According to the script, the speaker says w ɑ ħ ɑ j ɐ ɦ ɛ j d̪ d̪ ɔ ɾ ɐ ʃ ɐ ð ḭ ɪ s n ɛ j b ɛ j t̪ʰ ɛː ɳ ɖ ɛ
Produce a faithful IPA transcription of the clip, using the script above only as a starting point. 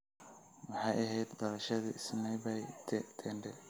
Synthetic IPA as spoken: w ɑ ħ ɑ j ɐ ɦ ɛ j d̪ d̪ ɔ ɾ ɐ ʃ ɐ ð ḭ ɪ s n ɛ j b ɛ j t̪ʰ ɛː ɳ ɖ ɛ